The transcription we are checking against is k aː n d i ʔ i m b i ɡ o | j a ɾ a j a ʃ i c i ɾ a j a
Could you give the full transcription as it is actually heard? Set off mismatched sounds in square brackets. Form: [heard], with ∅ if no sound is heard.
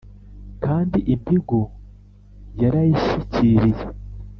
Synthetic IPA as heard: k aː n d i ʔ i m b i ɡ o | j a ɾ a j [i] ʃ i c i ɾ [i] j [e]